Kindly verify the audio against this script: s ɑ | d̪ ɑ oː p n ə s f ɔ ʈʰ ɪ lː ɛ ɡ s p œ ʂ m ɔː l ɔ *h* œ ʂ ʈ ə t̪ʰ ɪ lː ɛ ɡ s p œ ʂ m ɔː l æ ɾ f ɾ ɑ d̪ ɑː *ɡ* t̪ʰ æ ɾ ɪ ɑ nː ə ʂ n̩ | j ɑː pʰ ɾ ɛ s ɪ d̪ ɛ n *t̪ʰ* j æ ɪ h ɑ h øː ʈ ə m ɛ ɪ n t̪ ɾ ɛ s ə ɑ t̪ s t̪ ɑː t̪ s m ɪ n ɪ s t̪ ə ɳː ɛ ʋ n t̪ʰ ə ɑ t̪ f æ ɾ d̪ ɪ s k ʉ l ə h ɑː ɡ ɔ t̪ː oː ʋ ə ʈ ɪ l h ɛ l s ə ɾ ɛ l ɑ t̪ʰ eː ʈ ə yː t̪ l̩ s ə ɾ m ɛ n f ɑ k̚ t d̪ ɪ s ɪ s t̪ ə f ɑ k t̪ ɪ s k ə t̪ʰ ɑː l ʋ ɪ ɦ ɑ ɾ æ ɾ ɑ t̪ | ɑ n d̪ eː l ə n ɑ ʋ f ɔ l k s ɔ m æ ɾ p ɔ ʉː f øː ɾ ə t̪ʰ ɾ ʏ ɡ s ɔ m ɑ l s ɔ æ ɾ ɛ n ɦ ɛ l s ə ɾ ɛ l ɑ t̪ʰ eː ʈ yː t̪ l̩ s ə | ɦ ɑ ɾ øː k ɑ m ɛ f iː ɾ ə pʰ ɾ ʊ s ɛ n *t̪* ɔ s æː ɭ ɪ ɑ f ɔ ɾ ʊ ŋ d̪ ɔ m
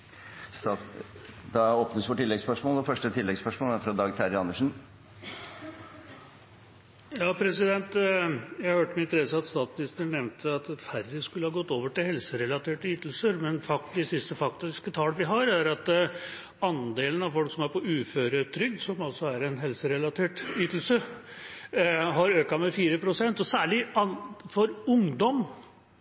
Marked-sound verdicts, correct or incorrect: incorrect, correct, incorrect, correct

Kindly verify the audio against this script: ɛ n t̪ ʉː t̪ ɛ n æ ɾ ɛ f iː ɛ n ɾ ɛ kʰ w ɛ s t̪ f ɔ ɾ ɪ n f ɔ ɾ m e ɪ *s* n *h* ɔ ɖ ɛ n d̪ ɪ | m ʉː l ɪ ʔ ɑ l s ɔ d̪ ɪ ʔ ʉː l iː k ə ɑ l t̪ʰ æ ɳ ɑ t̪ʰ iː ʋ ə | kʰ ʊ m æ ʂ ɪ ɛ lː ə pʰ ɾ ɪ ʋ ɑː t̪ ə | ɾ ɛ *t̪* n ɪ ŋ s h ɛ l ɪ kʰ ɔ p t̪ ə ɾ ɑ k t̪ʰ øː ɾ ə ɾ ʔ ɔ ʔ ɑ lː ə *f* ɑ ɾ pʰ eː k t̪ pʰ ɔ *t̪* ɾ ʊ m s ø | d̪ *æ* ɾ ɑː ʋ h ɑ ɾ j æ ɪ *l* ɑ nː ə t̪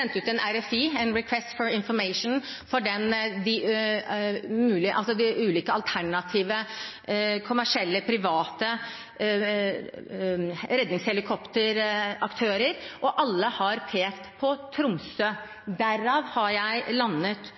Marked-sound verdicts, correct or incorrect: incorrect, incorrect, incorrect, incorrect, incorrect, correct, correct

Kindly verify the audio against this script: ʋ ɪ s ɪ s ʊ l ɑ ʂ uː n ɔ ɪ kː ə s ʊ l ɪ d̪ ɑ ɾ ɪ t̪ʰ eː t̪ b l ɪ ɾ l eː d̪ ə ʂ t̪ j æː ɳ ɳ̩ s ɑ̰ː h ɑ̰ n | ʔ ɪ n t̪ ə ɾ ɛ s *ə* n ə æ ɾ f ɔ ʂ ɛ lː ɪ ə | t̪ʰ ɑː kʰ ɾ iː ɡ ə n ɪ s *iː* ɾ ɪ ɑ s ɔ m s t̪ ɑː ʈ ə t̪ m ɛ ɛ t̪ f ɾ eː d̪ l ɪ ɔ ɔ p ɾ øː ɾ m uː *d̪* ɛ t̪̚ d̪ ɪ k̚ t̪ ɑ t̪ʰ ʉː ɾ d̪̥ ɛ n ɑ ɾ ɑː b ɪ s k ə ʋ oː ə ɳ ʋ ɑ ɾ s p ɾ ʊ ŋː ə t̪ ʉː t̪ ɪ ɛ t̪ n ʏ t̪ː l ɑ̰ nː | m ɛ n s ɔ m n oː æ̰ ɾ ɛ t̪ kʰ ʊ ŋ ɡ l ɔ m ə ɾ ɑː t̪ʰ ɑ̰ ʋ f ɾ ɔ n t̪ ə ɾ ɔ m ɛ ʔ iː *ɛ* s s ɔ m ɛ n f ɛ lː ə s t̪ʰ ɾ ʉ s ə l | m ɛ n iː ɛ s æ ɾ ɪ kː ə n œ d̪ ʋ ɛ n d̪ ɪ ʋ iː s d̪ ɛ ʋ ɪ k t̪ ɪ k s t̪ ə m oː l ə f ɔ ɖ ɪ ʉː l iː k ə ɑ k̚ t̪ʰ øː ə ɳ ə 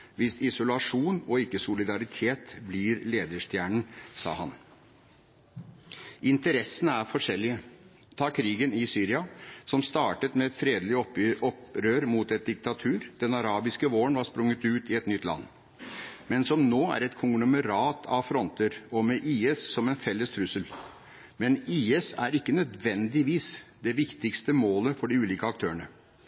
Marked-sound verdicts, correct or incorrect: correct, incorrect, incorrect, correct

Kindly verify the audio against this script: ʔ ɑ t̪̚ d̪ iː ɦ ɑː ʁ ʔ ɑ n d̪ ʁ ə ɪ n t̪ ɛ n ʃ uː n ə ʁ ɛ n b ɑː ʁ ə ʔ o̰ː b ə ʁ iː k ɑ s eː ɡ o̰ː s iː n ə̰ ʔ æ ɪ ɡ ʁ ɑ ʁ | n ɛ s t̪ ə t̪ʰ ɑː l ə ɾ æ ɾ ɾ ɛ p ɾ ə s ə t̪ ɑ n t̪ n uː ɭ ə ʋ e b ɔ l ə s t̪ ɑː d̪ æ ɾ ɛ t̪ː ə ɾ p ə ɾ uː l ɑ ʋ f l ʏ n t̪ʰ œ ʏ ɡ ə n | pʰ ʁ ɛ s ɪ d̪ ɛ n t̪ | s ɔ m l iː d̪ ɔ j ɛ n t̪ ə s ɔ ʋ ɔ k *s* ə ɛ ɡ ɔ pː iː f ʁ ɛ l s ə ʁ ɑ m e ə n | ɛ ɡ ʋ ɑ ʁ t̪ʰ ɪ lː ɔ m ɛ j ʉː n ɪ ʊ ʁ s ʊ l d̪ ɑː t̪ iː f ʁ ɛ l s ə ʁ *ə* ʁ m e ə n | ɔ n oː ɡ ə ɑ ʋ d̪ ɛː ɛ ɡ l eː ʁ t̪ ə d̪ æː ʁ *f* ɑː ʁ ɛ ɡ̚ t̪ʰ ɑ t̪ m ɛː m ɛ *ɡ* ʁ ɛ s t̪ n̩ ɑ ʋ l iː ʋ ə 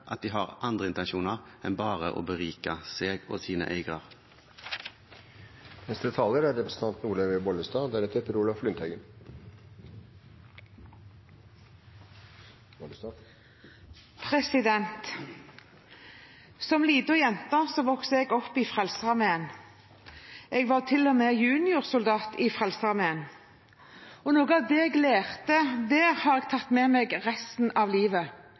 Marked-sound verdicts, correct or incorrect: correct, incorrect, incorrect, correct

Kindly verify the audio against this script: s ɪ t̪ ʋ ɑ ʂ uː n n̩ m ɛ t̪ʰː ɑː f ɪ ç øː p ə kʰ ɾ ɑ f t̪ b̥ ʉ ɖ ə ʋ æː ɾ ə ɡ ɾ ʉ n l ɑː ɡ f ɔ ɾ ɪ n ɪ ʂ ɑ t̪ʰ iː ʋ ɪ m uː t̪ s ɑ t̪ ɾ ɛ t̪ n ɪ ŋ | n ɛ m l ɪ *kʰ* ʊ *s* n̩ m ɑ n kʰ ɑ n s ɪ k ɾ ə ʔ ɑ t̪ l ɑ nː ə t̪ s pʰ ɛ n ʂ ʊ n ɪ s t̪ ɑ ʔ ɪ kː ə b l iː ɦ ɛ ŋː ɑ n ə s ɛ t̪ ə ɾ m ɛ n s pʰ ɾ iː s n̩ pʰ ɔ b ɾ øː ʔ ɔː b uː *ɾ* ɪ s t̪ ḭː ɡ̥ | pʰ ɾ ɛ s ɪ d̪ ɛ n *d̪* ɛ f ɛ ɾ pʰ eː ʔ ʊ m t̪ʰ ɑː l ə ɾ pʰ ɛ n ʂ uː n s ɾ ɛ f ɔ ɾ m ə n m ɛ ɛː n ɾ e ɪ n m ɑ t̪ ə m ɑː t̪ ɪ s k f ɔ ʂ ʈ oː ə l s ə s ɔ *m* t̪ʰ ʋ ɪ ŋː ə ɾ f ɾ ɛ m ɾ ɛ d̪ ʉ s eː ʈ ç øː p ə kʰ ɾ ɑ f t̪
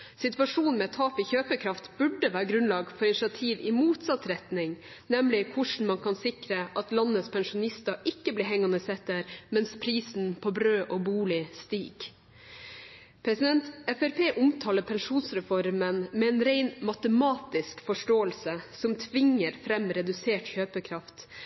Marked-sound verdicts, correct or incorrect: correct, incorrect, incorrect, incorrect, correct

